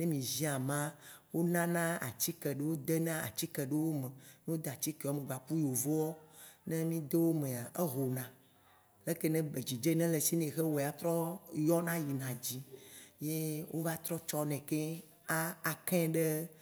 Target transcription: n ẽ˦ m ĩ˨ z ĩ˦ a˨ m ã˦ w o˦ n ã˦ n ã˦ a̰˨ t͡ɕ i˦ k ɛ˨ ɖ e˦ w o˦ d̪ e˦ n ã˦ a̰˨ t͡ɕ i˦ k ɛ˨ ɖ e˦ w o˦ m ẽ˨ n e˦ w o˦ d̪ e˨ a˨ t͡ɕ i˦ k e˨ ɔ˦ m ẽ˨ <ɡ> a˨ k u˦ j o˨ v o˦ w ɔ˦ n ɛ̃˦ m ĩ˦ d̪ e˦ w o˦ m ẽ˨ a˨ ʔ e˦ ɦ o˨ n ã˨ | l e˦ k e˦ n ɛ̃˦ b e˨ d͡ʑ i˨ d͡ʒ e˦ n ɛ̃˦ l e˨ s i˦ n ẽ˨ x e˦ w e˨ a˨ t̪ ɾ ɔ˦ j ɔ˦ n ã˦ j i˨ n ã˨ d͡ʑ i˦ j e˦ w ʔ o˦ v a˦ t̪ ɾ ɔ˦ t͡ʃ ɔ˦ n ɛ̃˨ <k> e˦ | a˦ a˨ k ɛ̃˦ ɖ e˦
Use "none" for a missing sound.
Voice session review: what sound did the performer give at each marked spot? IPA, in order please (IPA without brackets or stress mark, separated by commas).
ɡ͡b, k